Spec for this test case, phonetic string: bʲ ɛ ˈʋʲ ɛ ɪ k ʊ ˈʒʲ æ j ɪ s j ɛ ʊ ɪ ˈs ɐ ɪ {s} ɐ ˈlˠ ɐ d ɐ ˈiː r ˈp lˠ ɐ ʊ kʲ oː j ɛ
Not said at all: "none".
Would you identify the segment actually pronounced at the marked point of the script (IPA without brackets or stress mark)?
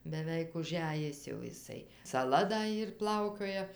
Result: s